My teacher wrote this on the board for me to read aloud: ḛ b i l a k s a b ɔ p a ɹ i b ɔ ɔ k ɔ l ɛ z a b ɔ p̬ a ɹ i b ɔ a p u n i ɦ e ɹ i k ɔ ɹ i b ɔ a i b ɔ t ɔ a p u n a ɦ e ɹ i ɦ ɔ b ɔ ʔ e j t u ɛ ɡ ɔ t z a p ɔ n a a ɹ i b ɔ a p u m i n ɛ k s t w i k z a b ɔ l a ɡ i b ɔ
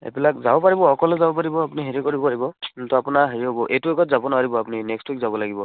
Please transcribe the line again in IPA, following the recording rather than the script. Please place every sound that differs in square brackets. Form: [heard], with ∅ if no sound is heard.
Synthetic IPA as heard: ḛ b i l a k [z] a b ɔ p a ɹ i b ɔ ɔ k ɔ l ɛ z a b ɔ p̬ a ɹ i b ɔ a p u n i ɦ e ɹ i k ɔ ɹ i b ɔ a i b ɔ t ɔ a p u n a ɦ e ɹ i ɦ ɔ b ɔ ʔ e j t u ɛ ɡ ɔ t z a [b] ɔ n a a ɹ i b ɔ a p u [n] i n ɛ k s t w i k z a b ɔ l a ɡ i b ɔ